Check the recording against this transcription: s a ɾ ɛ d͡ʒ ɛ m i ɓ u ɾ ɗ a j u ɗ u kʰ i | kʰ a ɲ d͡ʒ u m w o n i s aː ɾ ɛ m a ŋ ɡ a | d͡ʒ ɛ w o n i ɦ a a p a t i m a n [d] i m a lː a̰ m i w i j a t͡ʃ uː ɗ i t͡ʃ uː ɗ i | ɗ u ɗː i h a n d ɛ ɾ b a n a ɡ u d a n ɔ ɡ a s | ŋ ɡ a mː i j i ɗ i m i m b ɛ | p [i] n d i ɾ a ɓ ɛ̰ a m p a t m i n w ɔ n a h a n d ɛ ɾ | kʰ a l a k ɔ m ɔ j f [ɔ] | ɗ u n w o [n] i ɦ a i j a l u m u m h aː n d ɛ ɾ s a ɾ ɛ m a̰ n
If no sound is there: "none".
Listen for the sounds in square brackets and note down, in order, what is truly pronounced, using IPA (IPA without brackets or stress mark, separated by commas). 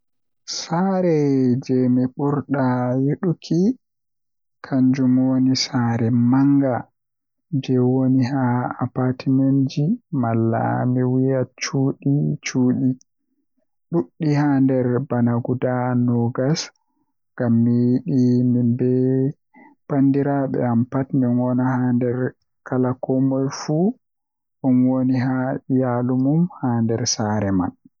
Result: d͡ʒ, a, u, n